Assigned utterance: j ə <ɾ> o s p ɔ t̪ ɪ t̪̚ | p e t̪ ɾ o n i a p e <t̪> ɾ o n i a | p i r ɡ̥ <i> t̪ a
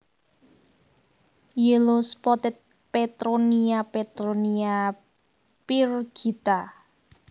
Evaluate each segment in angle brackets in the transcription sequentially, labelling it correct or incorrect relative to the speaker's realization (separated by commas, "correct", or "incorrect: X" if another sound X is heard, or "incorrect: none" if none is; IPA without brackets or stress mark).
incorrect: l, correct, correct